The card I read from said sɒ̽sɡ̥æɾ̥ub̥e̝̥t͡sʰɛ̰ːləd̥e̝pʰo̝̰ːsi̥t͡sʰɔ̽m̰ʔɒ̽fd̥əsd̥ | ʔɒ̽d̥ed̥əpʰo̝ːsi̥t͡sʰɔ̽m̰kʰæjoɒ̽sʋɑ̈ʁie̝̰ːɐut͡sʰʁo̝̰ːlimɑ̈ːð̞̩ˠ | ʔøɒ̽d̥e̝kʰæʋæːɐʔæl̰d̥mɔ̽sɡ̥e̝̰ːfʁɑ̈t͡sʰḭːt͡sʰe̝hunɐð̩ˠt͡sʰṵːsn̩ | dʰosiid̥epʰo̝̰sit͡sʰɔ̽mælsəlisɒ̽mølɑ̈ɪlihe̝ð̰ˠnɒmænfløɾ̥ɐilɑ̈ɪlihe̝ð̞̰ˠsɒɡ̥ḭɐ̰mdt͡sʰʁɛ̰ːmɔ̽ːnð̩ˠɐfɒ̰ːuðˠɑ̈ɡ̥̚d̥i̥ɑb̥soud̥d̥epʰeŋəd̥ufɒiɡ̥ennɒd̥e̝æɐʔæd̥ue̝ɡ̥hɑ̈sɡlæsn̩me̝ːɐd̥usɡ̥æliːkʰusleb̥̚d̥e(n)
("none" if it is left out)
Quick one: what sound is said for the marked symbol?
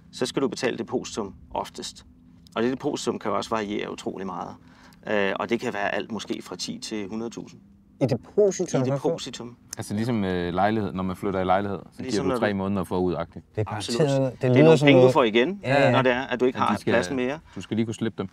m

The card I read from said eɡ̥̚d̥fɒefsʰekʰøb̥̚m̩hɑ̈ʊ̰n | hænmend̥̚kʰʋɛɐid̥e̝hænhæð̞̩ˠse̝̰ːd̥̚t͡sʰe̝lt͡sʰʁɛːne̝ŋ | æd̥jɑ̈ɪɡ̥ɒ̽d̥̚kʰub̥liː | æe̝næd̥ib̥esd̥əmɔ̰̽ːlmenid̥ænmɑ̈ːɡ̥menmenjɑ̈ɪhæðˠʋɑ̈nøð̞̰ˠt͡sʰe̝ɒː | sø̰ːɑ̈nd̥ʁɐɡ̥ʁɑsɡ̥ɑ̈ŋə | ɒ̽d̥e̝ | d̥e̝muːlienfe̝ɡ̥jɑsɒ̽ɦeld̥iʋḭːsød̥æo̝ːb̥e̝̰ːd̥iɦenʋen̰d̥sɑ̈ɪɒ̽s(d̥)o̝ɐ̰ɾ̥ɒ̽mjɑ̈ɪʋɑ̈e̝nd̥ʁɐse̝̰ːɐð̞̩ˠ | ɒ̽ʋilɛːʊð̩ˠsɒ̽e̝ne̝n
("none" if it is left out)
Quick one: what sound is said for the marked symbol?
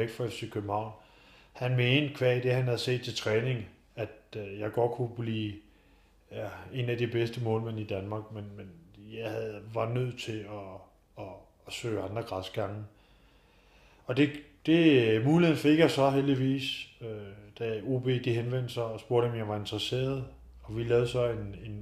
b̥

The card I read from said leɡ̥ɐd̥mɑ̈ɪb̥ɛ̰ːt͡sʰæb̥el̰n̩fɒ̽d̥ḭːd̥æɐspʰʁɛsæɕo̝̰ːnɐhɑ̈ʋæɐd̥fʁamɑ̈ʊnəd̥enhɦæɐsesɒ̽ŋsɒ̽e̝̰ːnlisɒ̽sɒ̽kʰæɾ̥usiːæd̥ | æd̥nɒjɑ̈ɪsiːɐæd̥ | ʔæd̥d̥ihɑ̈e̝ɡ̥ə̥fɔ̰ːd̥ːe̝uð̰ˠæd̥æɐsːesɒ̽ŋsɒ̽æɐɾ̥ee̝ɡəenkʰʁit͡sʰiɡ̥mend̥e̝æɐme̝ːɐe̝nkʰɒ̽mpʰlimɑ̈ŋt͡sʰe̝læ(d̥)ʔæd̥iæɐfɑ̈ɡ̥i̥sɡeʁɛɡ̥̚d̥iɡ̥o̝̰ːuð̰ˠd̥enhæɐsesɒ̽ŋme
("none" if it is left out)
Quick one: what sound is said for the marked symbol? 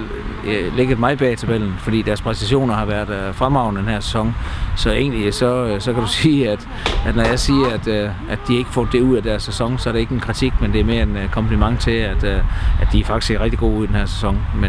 d̥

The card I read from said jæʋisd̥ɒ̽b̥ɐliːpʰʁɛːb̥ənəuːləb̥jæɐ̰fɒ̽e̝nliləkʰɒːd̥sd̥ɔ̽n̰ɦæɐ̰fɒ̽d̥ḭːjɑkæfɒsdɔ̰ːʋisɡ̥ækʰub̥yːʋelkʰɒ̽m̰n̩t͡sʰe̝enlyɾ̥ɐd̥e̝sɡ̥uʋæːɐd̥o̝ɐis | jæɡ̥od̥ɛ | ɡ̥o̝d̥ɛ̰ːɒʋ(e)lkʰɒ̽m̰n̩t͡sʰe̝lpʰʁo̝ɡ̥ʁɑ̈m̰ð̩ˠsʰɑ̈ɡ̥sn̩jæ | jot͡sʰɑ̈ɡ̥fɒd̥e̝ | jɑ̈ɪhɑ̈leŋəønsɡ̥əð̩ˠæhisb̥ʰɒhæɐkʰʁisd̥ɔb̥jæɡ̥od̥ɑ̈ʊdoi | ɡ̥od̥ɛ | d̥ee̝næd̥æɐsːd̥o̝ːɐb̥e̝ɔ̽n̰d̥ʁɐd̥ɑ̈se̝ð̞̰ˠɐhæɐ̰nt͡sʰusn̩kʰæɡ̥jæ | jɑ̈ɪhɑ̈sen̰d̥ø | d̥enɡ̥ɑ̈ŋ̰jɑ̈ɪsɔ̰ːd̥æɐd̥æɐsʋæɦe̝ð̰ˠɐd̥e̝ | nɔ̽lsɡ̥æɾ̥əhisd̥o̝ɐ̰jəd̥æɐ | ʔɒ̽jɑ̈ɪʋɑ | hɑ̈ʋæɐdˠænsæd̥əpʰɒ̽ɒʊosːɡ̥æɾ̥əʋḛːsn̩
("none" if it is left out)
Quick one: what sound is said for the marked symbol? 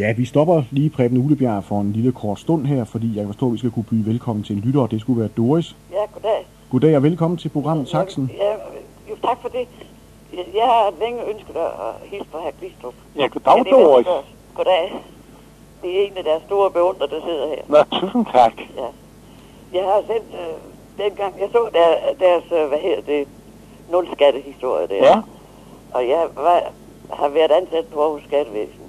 e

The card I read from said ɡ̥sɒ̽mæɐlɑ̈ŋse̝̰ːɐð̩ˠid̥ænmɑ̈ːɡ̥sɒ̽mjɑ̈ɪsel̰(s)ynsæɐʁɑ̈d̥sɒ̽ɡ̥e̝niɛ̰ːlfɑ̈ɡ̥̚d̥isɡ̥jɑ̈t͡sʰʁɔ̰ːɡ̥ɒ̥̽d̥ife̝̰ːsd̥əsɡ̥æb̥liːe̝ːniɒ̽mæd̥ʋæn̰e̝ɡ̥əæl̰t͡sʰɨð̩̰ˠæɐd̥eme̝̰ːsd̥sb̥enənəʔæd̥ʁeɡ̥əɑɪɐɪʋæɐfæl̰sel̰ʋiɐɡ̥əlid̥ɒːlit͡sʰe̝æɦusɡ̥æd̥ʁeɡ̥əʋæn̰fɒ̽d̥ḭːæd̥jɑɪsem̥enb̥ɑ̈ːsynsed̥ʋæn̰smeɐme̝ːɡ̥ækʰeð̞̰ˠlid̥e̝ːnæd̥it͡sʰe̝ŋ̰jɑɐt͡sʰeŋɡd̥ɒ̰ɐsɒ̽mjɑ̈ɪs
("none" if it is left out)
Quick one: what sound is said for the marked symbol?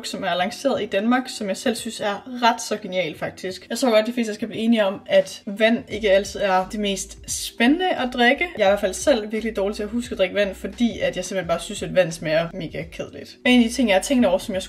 s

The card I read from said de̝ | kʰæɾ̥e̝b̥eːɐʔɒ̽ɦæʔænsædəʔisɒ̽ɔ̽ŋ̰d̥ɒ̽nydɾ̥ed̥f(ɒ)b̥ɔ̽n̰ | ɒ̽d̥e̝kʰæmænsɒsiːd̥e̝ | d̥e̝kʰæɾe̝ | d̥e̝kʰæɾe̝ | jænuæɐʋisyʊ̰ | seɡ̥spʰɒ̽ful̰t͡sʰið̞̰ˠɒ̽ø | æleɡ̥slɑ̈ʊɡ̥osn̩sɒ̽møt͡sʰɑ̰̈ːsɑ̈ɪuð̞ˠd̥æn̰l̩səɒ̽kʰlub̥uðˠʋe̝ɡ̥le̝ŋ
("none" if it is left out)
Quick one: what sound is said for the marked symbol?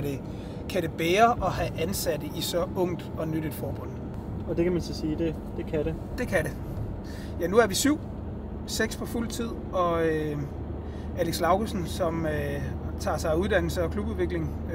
ɒː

